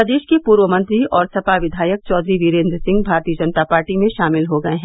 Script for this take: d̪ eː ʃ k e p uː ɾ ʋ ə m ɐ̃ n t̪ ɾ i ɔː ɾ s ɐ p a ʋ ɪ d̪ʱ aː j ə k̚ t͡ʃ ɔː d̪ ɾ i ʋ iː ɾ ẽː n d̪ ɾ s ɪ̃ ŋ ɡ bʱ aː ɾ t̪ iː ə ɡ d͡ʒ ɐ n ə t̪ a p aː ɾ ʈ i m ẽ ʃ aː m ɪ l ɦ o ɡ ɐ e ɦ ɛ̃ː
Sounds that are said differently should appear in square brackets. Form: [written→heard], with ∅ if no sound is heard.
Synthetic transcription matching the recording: d̪ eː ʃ k e p uː ɾ ʋ ə m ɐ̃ n t̪ ɾ i ɔː ɾ s ɐ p a ʋ ɪ d̪ʱ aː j ə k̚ t͡ʃ ɔː d̪ ɾ i ʋ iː ɾ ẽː n d̪ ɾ s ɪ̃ ŋ ɡ bʱ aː ɾ t̪ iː ə [ɡ→∅] d͡ʒ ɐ n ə t̪ a p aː ɾ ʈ i m ẽ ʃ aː m ɪ l ɦ o ɡ ɐ e ɦ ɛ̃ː